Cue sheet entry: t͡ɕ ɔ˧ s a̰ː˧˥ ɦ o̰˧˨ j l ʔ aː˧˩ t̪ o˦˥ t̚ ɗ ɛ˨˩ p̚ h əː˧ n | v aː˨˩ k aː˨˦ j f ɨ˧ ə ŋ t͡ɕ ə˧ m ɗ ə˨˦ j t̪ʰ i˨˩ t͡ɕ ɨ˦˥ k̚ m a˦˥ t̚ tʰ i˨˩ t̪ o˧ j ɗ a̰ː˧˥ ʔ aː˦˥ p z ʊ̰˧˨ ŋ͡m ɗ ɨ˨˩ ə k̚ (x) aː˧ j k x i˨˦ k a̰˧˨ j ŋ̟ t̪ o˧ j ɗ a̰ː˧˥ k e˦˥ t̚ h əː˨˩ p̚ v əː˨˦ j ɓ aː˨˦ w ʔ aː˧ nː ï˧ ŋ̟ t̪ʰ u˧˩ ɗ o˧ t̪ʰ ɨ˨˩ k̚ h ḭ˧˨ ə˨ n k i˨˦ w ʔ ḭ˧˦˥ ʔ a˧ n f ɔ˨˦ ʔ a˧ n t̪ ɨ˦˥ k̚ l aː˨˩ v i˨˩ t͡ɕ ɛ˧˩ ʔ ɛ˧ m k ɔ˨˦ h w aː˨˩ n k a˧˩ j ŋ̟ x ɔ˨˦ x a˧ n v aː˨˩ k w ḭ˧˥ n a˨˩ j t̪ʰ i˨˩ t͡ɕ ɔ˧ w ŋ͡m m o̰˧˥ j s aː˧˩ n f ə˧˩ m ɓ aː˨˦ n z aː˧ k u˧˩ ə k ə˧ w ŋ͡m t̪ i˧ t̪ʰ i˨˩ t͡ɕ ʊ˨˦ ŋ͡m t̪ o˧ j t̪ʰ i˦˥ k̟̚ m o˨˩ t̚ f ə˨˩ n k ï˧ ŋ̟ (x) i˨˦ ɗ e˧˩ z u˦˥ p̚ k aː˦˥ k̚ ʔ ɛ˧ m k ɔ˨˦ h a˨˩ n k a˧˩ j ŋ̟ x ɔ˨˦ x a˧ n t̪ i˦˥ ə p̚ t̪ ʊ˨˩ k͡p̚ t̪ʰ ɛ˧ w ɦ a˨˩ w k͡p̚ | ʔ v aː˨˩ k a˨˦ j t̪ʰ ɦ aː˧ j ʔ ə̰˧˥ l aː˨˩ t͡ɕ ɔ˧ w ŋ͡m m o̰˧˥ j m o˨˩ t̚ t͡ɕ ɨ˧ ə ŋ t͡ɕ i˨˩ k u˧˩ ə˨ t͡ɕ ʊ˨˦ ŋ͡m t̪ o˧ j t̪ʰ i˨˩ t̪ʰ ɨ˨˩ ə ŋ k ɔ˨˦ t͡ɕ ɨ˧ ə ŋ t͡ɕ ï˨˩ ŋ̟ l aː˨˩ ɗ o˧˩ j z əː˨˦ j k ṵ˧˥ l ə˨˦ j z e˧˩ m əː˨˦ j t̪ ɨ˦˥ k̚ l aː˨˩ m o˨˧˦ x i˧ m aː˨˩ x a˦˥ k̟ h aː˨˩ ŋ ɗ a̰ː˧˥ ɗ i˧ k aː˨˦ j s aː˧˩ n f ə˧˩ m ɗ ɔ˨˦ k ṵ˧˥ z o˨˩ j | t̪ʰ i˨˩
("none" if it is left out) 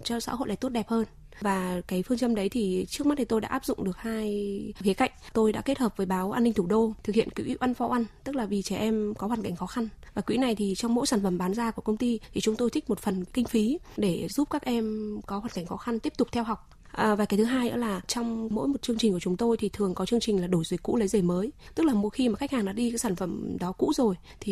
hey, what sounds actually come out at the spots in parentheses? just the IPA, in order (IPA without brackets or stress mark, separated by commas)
h, f